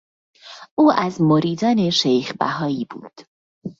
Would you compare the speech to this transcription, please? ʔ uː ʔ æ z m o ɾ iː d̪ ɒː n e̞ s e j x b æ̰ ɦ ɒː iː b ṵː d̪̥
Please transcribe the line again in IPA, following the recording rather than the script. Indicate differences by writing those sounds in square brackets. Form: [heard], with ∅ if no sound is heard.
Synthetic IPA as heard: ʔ uː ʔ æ z m o ɾ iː d̪ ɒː n e̞ [ʃ] e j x b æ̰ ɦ ɒː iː b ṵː d̪̥